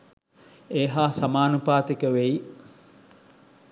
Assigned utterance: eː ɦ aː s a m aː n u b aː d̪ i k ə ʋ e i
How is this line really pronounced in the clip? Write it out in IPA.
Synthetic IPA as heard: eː ɦ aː s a m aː n u p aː t̪ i k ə ʋ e i